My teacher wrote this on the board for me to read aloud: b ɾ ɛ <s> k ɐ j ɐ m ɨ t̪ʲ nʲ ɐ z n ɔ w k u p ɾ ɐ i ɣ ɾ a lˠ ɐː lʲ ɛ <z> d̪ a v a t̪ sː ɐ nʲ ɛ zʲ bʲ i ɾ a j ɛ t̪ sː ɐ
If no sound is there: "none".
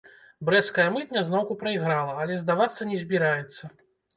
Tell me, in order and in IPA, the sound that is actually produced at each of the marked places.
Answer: s, z

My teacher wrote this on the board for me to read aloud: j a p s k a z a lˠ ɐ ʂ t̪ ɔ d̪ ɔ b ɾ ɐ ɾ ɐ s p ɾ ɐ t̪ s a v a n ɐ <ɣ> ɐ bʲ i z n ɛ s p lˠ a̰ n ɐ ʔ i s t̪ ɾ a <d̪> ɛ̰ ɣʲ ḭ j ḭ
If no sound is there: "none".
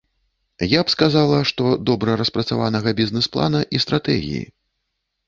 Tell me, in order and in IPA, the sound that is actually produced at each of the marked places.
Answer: ɣ, t̪

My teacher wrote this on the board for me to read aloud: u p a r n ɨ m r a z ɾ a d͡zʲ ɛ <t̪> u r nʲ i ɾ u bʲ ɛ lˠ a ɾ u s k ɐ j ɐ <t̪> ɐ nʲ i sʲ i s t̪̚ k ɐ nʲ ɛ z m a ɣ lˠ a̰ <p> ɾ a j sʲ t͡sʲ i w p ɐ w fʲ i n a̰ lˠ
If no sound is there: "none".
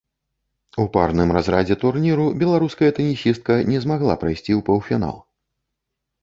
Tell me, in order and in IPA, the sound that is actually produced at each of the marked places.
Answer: t̪, t̪, p

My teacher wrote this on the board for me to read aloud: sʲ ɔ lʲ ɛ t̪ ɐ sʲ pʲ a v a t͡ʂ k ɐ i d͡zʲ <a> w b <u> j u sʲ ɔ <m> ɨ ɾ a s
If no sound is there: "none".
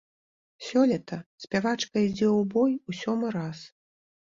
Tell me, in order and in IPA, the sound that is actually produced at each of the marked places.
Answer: ɛ, ɔ, m

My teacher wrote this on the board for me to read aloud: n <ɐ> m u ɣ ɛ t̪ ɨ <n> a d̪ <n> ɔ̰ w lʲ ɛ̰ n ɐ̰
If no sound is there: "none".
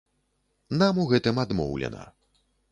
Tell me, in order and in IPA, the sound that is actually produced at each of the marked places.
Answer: a, m, m

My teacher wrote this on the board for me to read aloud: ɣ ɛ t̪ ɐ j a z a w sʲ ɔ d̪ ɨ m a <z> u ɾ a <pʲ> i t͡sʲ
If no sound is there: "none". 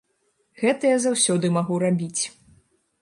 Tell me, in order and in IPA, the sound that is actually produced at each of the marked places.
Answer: ɣ, bʲ

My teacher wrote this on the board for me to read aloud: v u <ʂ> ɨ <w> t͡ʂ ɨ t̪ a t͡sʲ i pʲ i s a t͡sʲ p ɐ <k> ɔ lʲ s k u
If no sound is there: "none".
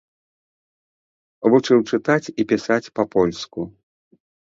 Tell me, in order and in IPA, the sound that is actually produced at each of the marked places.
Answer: t͡ʂ, w, p

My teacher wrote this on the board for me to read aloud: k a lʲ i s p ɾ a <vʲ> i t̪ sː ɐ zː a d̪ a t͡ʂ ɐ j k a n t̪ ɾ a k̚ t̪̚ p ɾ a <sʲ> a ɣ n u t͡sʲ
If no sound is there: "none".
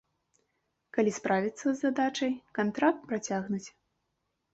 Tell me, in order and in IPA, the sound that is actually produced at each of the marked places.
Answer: vʲ, t͡sʲ

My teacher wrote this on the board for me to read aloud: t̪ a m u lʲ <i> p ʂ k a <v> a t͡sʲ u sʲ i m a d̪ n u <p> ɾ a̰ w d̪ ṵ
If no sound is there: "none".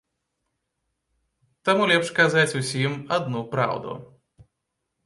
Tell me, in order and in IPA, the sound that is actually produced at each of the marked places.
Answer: ɛ, z, p

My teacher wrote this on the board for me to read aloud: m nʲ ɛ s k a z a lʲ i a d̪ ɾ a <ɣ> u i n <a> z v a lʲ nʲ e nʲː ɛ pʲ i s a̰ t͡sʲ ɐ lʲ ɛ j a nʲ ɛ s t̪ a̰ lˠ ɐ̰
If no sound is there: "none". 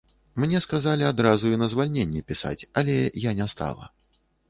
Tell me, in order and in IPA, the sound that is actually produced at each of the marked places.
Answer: z, ɐ

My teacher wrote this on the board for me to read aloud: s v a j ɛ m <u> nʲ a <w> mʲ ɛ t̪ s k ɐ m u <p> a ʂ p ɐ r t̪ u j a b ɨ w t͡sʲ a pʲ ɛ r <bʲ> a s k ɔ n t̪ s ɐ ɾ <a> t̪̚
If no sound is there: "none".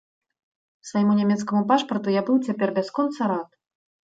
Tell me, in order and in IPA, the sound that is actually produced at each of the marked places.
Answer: u, none, p, bʲ, a

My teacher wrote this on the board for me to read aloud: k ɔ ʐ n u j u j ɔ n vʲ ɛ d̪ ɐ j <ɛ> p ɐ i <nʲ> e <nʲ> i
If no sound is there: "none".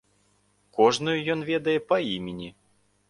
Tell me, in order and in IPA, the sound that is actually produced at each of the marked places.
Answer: ɛ, mʲ, nʲ

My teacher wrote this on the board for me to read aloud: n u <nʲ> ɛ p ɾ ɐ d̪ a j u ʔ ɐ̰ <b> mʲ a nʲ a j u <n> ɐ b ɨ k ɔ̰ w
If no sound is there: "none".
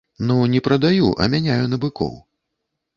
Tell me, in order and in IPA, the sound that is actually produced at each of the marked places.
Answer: nʲ, none, n

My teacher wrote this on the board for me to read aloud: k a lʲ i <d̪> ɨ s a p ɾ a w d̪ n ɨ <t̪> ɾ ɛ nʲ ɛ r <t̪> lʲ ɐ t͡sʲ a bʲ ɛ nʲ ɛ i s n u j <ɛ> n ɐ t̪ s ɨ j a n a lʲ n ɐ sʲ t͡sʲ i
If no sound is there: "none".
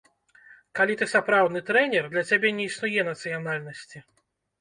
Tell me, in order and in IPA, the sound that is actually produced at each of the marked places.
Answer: t̪, t̪, d̪, ɛ

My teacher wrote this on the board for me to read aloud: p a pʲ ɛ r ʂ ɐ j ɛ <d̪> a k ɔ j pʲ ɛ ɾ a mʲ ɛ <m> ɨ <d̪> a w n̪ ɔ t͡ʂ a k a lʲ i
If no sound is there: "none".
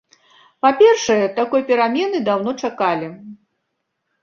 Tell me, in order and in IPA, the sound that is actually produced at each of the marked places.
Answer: t̪, n, d̪

